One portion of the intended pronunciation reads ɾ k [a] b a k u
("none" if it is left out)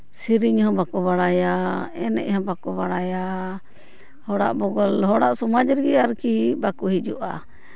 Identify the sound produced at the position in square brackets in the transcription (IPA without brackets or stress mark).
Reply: i